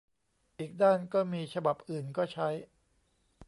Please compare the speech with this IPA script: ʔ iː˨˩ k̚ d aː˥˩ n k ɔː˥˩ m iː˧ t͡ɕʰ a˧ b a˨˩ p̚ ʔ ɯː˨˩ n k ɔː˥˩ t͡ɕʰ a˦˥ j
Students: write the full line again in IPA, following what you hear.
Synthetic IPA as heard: ʔ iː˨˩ k̚ d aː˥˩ n k ɔː˥˩ m iː˧ t͡ɕʰ a˧ b a˨˩ p̚ ʔ ɯː˨˩ n k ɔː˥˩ t͡ɕʰ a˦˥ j